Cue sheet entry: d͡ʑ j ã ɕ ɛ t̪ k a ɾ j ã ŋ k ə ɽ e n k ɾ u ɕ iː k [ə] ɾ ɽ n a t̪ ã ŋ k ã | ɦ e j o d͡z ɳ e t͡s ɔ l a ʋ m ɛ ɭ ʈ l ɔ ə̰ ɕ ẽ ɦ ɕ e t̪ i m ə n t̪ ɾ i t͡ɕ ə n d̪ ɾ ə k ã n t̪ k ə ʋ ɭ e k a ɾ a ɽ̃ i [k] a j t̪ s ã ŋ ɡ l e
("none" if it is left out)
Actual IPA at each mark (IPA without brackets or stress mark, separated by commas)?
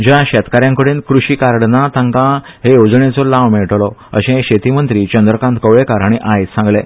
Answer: a, ʔ